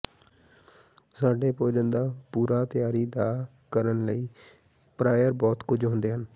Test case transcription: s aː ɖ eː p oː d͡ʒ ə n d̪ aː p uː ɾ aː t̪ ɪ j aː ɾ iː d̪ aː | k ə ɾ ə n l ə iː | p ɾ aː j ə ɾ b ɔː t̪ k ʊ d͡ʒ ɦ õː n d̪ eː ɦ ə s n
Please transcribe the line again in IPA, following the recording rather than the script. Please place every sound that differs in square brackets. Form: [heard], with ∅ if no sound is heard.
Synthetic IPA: s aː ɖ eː p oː d͡ʒ ə n d̪ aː p uː ɾ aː t̪ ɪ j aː ɾ iː d̪ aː | k ə ɾ ə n l ə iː | p ɾ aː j ə ɾ b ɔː t̪ k ʊ d͡ʒ ɦ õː n d̪ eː ɦ ə [∅] n